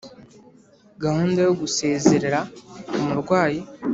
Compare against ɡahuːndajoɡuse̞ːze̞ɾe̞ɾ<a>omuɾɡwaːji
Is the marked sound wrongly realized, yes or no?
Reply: no